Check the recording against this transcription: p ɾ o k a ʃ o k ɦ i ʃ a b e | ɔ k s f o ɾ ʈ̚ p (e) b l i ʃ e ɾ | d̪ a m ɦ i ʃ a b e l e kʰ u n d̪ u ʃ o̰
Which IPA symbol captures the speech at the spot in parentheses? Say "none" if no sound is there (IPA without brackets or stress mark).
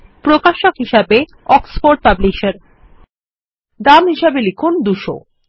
a